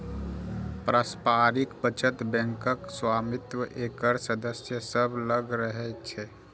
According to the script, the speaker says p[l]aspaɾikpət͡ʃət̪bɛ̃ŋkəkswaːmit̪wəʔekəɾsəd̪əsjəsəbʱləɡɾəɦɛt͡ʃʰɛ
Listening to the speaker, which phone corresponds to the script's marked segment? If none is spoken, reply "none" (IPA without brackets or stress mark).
ɾ